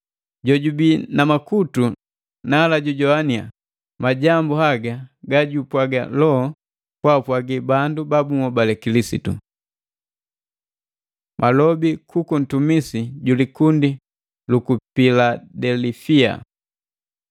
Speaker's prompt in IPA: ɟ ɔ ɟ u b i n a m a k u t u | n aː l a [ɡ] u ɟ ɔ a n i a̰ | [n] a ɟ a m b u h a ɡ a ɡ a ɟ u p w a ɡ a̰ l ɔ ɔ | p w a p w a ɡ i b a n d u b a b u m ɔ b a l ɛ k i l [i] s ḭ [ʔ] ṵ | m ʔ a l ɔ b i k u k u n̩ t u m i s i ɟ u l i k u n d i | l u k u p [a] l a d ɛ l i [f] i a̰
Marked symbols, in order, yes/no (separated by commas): no, no, yes, no, no, yes